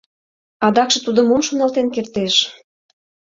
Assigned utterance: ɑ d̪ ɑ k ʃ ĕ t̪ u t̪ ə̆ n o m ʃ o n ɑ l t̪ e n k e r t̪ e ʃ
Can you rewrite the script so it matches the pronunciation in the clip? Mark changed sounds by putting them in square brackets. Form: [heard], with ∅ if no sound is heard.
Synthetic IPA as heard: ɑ d̪ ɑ k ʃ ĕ t̪ u [d̪] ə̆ [m] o m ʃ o n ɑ l t̪ e n k e r t̪ e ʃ